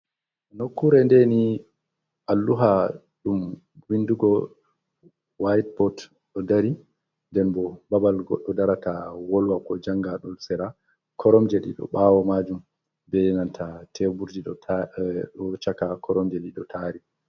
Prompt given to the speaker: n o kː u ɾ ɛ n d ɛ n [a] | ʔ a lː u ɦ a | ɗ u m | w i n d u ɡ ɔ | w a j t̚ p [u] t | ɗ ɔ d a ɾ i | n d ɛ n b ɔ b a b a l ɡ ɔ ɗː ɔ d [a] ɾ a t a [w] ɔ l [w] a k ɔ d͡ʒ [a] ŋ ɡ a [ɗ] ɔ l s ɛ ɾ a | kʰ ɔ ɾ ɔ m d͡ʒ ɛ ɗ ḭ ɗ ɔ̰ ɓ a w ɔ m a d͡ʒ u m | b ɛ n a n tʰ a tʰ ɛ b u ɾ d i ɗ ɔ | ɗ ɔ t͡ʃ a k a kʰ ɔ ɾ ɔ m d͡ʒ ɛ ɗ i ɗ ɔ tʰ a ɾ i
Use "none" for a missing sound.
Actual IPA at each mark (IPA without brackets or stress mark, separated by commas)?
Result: i, ɔ, a, w, w, a, ɗ